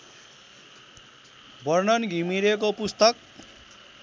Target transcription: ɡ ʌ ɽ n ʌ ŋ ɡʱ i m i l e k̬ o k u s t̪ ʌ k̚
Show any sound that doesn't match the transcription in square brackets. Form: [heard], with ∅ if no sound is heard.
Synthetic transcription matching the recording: [b] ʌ [r] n ʌ [n] ɡʱ i m i [ɾ] e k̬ o [p] u s t̪ ʌ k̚